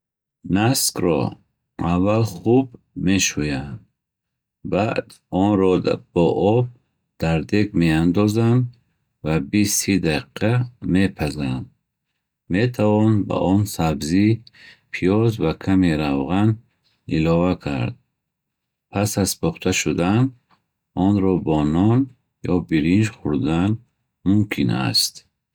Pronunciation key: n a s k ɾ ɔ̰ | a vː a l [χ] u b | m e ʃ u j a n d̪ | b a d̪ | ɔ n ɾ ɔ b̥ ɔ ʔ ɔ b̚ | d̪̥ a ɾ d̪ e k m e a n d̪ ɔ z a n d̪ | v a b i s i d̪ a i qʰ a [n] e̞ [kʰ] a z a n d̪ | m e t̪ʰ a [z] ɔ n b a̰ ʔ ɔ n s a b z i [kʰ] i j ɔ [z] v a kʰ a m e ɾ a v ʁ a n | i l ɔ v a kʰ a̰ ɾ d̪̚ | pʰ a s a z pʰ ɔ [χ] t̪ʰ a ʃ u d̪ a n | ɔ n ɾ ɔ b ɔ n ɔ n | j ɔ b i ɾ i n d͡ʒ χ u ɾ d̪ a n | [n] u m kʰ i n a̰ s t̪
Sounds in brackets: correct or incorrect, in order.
correct, incorrect: m, incorrect: pʰ, incorrect: v, incorrect: pʰ, correct, correct, incorrect: m

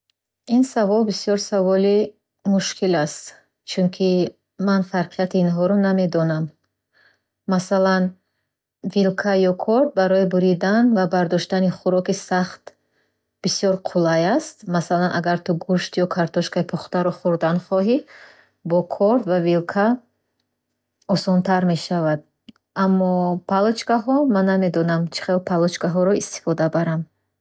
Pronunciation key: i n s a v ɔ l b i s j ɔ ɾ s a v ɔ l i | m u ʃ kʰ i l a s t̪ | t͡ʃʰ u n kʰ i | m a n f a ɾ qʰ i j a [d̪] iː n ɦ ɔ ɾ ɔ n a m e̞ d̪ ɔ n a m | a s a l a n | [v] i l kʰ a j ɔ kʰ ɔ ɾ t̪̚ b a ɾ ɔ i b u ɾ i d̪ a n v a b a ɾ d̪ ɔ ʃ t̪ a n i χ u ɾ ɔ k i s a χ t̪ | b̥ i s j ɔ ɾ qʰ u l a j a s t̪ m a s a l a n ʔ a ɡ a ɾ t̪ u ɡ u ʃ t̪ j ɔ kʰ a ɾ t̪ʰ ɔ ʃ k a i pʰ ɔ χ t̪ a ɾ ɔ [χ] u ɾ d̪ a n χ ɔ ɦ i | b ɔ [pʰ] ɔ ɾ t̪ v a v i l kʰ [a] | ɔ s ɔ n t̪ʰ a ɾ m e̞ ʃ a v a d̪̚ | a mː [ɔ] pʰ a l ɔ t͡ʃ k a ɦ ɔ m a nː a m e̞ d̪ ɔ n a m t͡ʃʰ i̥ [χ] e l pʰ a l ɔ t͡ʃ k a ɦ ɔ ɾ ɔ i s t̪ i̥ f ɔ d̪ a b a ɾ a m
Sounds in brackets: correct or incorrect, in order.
incorrect: t̪, correct, correct, incorrect: kʰ, correct, correct, correct

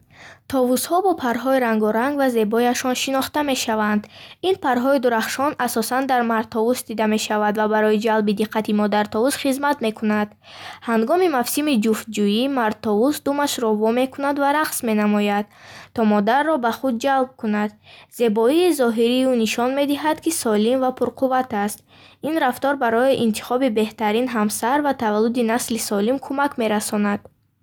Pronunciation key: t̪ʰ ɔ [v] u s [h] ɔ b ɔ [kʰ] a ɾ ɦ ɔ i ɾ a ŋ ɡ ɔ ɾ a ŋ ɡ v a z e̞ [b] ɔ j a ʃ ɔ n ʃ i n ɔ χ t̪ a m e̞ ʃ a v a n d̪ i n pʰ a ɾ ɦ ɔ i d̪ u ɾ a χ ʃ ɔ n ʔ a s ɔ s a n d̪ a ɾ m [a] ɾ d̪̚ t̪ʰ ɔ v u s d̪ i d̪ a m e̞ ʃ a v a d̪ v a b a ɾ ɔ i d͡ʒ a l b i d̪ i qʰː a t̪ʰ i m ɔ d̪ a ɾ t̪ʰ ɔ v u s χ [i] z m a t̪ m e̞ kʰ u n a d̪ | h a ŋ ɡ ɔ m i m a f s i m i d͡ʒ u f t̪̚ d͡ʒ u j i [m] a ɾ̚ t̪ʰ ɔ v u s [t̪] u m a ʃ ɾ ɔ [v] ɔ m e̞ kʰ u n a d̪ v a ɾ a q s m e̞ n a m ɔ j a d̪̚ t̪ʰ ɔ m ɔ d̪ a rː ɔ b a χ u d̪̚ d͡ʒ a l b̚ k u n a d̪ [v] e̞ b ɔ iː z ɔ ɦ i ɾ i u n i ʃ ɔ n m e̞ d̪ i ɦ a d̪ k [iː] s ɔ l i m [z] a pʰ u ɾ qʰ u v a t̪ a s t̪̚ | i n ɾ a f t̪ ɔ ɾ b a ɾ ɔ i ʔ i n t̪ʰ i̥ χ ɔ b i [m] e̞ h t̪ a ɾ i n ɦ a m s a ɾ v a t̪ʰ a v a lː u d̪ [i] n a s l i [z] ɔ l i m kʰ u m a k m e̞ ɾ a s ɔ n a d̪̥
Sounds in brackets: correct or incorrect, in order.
correct, correct, incorrect: pʰ, correct, correct, correct, correct, incorrect: d̪, correct, incorrect: z, incorrect: i, incorrect: v, incorrect: b, correct, incorrect: s

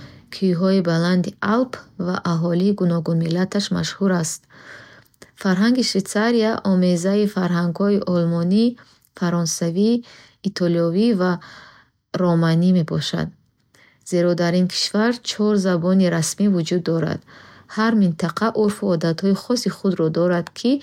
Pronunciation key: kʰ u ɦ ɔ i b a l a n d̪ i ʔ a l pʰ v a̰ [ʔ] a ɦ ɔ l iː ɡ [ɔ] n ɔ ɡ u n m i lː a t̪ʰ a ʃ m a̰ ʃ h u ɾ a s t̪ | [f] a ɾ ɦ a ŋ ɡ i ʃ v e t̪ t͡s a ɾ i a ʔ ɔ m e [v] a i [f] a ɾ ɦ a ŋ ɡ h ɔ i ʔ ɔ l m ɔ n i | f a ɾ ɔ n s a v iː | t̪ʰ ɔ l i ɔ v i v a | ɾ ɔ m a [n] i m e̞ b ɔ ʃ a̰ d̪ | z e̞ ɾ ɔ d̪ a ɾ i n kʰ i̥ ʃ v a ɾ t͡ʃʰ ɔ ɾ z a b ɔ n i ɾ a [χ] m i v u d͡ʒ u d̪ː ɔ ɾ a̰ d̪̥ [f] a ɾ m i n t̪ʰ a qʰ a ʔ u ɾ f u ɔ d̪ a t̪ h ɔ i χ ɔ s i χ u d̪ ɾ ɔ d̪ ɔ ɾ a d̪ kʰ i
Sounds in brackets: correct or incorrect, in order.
correct, incorrect: u, correct, incorrect: z, correct, correct, incorrect: s, incorrect: h

